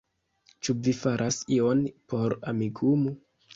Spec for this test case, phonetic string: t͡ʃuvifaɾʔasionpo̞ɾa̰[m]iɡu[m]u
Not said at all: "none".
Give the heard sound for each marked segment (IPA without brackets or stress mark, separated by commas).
m, m